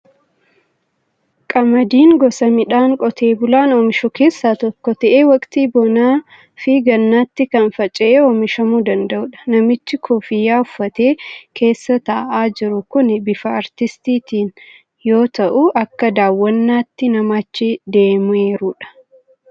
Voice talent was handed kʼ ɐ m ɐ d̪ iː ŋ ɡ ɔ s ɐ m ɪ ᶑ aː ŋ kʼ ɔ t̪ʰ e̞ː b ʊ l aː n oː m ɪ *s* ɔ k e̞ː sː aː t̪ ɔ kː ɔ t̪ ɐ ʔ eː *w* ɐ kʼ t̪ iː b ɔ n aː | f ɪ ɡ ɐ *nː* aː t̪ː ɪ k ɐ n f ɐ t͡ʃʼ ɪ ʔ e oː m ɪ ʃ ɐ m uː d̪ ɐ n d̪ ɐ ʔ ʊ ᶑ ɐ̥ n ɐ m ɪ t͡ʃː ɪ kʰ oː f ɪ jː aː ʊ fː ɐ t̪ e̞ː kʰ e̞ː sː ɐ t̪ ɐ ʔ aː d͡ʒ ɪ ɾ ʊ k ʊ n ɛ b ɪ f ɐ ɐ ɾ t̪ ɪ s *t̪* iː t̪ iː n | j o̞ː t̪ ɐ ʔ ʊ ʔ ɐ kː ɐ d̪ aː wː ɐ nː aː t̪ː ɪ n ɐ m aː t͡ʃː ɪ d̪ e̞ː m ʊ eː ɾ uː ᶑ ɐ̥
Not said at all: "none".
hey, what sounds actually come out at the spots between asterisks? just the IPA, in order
ʃ, w, nː, t̪

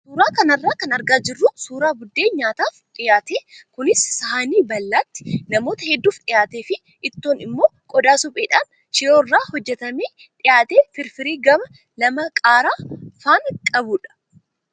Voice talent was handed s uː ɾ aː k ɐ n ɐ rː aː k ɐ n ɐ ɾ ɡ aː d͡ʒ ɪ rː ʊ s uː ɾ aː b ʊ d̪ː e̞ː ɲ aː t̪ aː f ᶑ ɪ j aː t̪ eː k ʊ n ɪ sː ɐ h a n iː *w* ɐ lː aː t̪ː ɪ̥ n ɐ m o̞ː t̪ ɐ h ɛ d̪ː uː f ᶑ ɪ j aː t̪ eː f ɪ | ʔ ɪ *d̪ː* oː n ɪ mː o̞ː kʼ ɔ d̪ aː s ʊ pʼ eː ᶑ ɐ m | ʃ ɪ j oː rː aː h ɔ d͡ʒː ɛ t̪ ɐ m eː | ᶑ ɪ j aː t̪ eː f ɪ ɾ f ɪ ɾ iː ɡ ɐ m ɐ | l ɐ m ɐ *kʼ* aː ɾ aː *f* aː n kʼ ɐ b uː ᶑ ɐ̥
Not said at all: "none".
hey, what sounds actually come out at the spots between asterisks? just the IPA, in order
b, t̪ː, kʼ, f

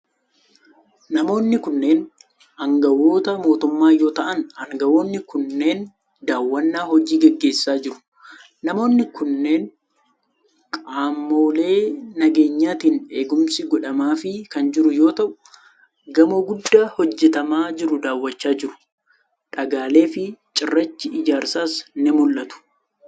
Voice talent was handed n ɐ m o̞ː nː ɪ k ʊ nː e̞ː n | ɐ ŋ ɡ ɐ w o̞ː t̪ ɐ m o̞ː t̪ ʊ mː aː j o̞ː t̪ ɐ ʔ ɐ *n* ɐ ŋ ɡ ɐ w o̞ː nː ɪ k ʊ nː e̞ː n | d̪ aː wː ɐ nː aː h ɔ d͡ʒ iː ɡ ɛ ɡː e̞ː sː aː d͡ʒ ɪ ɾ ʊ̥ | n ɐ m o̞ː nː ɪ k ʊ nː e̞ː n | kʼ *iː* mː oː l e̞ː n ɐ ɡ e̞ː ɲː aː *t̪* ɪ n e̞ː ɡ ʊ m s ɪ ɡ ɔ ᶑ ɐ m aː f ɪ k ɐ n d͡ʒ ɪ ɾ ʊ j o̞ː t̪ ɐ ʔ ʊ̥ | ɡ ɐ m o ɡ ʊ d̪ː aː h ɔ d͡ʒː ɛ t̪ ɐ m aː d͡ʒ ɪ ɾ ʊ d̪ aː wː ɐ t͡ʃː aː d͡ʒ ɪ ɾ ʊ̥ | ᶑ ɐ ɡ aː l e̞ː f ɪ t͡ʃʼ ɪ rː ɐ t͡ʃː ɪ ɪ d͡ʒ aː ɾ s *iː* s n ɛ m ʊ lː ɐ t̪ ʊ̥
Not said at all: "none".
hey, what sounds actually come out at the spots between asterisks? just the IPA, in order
n, aː, t̪, aː

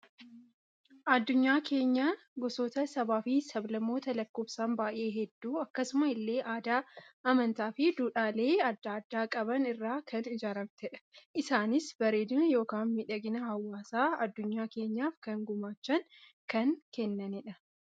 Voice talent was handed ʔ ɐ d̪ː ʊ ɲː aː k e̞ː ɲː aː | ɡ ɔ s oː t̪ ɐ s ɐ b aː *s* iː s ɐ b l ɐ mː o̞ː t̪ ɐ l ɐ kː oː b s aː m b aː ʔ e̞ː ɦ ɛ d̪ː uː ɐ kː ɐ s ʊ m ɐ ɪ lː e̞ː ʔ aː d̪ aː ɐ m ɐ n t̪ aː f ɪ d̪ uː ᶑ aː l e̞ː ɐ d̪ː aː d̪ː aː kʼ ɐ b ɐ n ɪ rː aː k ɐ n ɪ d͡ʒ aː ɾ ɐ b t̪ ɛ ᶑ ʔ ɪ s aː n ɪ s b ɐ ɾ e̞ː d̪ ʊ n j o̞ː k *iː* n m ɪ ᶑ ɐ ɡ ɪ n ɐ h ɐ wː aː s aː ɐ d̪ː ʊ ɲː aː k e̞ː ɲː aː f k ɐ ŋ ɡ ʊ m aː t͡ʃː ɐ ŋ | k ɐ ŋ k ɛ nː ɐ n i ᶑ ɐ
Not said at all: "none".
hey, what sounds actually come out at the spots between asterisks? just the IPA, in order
f, aː

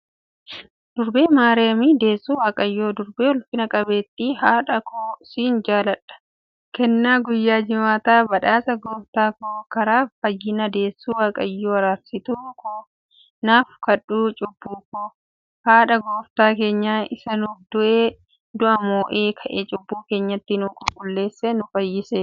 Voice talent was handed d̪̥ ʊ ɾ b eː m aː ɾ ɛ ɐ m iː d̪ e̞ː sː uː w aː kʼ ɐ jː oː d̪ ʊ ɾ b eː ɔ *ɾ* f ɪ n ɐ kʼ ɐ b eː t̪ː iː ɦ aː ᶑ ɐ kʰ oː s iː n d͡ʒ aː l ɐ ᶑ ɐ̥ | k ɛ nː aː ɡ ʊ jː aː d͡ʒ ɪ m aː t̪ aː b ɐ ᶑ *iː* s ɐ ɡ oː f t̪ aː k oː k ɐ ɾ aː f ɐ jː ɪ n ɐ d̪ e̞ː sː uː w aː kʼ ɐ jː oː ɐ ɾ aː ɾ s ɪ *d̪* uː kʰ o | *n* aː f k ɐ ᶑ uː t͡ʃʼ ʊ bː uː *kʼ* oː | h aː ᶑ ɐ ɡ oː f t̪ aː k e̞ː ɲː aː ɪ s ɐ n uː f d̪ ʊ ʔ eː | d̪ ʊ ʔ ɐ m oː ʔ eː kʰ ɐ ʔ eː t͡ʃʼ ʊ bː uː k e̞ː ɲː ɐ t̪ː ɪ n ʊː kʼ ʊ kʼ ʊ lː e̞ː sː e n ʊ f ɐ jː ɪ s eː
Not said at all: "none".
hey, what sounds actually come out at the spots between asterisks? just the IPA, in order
l, aː, t̪, n, k

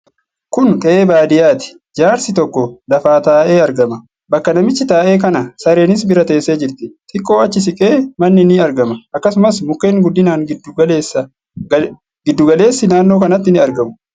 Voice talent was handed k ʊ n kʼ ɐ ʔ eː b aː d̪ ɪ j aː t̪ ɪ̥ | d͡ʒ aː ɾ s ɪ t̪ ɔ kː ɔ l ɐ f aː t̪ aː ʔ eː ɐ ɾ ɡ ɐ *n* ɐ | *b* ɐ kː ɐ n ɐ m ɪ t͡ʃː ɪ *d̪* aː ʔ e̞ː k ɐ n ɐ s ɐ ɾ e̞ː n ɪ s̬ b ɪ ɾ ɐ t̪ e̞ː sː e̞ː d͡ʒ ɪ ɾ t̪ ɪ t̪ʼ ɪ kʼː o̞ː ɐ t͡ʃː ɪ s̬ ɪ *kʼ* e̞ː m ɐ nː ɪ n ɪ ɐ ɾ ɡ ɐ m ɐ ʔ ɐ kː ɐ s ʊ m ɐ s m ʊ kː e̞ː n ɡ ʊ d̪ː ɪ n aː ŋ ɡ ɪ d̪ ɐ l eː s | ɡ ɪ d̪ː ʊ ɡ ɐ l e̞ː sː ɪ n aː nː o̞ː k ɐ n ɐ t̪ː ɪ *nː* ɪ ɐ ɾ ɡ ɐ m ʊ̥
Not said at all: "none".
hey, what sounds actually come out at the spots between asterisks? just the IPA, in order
m, b, t̪, kʼ, n

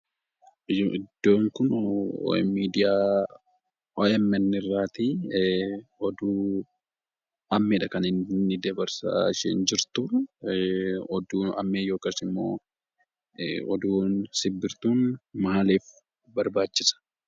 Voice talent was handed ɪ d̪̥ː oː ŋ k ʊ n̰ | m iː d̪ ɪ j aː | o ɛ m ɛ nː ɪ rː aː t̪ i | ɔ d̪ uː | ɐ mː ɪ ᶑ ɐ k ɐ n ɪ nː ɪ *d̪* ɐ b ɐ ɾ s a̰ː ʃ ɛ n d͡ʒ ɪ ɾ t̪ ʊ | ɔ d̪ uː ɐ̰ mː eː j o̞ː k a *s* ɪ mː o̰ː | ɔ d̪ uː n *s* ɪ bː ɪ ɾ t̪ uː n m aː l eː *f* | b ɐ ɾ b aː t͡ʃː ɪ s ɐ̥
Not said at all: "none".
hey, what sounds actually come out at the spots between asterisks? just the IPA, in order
d̪, s, s, f

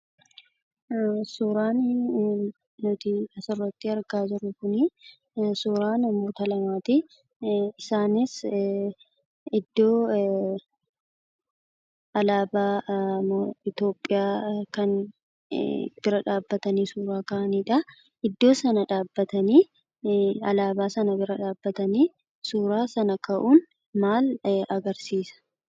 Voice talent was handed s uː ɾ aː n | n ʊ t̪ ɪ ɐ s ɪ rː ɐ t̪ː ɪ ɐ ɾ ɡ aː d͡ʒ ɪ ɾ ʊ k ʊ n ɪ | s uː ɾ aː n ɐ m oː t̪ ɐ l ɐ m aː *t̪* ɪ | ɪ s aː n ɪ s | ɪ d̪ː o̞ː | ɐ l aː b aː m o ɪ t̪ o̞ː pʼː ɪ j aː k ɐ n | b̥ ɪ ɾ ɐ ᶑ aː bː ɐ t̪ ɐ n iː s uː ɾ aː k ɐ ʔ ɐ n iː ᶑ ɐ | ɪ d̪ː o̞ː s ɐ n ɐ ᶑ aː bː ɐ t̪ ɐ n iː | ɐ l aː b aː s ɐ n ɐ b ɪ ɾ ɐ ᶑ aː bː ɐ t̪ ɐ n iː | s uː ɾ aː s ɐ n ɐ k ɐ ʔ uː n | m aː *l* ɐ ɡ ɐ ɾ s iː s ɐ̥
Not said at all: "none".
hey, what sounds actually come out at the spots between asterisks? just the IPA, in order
t̪, l

